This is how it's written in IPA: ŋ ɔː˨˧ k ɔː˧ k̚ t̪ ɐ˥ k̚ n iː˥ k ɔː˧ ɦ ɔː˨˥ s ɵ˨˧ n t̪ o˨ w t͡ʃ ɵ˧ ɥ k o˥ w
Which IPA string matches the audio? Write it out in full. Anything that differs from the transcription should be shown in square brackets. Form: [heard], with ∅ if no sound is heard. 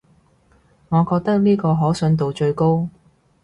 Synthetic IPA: ŋ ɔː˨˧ k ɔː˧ k̚ t̪ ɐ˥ k̚ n iː˥ k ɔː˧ ɦ ɔː˨˥ s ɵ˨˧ n t̪ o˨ w t͡ʃ ɵ˧ ɥ k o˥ w